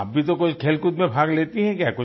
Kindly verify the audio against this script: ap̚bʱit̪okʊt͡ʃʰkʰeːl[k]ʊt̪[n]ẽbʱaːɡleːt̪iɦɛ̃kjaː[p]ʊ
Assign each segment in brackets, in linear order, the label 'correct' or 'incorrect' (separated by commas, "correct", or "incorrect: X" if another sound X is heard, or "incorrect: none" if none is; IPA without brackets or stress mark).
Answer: correct, incorrect: m, incorrect: k